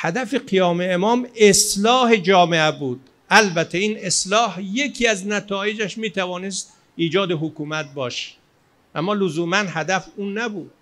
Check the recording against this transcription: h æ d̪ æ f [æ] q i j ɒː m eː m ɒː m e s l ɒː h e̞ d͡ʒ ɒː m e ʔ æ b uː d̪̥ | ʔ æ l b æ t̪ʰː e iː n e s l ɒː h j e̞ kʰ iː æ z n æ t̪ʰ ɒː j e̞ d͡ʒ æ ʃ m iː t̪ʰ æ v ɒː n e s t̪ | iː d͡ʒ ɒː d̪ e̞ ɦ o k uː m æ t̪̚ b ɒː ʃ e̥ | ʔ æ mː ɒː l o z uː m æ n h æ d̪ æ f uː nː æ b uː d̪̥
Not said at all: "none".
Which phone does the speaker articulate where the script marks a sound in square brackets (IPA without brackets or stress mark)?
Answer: e